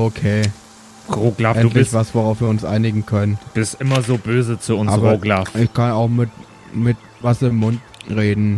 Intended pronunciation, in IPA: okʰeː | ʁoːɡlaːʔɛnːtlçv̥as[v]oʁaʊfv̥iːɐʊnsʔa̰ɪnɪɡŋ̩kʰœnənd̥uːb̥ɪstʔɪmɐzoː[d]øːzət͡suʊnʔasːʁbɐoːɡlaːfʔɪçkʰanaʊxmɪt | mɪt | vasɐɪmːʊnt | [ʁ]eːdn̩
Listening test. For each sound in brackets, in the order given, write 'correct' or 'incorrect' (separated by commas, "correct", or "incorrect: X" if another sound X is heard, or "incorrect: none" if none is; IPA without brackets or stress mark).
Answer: correct, incorrect: b, correct